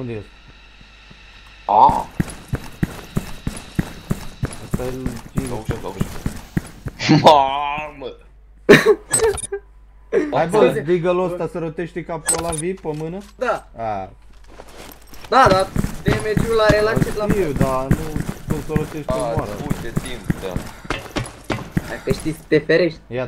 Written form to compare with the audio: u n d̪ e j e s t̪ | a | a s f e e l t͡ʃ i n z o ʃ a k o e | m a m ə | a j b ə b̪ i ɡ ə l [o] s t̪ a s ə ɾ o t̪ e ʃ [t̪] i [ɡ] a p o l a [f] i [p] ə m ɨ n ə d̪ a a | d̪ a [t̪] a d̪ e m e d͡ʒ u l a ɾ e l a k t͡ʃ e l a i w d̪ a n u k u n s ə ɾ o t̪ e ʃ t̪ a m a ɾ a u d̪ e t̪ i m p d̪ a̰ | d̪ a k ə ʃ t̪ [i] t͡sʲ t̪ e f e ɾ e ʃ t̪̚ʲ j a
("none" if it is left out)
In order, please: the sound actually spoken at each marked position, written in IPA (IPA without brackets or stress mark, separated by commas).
o, t̪, k, v, p, d̪, i